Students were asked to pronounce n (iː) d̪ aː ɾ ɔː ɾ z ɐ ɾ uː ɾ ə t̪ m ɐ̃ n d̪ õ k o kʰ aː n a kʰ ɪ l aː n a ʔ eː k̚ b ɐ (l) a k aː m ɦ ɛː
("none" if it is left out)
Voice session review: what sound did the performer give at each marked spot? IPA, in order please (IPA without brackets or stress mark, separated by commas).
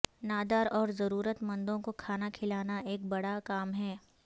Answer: aː, ɽ